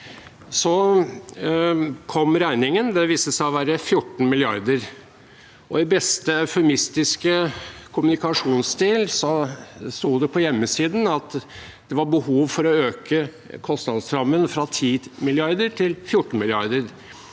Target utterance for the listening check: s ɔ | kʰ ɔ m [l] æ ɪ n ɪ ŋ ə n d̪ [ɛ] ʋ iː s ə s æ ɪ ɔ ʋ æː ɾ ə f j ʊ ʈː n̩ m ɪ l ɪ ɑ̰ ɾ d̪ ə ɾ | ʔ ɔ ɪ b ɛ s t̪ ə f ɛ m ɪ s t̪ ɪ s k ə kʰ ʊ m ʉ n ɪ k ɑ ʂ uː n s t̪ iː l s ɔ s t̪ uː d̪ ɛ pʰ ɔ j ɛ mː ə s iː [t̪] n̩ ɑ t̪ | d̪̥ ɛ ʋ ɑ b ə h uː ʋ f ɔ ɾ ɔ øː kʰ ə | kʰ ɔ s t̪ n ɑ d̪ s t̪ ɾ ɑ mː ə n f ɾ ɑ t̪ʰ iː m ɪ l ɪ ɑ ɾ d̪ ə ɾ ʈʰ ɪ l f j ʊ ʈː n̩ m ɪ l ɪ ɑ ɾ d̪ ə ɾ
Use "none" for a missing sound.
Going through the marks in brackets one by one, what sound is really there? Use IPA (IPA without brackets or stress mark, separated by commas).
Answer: ɾ, ɛ, d̪